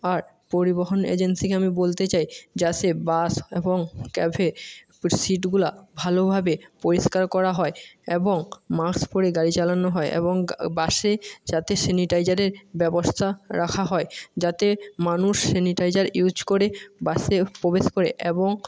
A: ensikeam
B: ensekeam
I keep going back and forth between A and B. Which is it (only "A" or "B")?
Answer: A